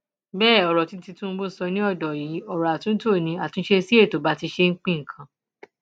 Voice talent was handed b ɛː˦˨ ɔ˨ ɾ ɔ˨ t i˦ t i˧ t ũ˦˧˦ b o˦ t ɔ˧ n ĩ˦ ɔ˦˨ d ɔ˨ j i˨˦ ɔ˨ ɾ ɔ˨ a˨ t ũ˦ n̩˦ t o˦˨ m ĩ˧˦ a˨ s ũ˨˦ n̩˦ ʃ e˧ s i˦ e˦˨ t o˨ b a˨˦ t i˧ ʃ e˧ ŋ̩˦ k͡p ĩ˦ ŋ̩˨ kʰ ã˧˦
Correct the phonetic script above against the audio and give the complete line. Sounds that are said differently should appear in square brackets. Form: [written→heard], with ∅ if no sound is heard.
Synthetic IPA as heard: b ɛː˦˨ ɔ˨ ɾ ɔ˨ t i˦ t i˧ t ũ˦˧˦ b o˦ [t→s] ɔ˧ n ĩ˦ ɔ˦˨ d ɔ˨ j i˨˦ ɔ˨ ɾ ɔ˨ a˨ t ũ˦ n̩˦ t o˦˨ [m→n] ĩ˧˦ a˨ [s→t] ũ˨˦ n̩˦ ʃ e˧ s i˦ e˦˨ t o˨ b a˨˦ t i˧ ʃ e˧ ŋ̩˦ k͡p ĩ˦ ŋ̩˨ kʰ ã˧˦